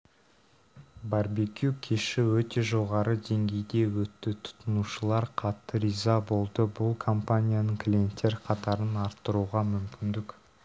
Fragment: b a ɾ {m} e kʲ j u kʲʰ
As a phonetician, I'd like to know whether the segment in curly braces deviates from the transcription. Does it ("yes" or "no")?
yes